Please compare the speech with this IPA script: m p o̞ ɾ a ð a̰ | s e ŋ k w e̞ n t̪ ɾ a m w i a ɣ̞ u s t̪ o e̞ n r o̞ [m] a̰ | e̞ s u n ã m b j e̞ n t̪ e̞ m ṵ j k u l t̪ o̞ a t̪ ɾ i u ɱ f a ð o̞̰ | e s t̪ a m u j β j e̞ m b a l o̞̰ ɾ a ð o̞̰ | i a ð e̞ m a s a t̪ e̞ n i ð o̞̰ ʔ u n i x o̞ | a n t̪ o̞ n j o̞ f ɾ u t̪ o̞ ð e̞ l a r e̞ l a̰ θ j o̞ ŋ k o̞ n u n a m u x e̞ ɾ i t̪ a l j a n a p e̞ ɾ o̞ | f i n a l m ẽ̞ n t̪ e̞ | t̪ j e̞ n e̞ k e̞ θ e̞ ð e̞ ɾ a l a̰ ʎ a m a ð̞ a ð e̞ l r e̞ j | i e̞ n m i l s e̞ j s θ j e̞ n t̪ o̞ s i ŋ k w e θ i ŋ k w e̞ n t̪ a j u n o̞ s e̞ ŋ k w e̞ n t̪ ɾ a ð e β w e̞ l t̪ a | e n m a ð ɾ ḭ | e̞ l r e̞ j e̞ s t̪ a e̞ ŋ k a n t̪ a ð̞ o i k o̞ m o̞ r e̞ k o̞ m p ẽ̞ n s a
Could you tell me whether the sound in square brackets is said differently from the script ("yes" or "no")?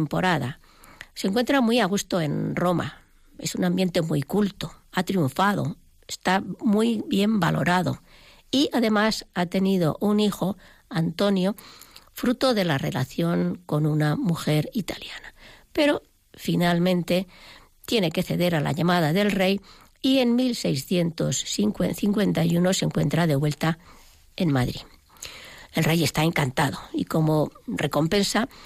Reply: no